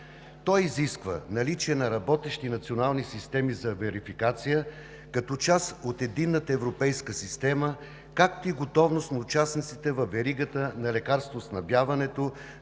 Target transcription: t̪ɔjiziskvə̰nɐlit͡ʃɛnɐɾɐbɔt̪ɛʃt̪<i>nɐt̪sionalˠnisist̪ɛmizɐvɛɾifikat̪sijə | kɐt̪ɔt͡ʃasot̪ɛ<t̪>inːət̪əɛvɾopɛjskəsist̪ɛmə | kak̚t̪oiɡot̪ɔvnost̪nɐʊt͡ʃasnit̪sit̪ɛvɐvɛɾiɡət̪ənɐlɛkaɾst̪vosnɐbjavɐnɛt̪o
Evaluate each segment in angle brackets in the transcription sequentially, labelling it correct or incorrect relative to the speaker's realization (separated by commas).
correct, incorrect